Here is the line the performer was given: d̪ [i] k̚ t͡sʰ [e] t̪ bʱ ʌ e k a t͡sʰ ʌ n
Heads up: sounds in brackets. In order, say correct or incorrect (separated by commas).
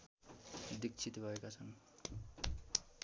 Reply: correct, incorrect